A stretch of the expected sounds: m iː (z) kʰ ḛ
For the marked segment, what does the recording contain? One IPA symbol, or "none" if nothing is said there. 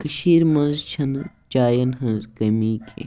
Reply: none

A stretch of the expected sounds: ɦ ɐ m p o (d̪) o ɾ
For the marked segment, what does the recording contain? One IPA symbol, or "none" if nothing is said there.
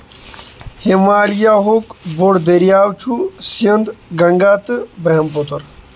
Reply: t̪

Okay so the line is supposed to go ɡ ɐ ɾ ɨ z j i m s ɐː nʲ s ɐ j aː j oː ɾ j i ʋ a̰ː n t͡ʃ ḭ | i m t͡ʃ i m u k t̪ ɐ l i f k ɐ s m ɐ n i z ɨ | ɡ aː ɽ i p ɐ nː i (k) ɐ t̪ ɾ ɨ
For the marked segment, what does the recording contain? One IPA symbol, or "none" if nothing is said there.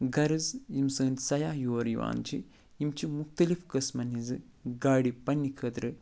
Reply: kʰ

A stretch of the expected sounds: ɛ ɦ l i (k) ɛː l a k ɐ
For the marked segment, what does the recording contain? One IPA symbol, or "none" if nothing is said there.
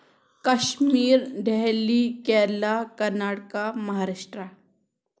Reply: k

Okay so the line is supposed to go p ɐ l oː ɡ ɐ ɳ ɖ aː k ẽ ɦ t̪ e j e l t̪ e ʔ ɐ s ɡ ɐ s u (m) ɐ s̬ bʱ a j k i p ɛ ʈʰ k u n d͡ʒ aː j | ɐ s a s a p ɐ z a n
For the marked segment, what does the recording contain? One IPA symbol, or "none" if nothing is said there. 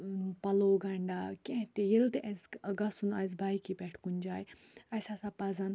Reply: n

